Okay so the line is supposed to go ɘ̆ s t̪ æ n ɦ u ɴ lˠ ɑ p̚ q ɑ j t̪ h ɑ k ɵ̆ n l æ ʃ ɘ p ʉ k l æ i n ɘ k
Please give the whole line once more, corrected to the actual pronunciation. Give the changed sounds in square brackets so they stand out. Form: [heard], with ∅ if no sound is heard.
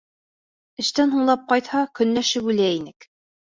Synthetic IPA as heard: ɘ̆ [ʃ] t̪ æ n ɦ u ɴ lˠ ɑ p̚ q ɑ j t̪ h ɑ k ɵ̆ n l æ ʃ ɘ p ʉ [∅] l æ i n ɘ k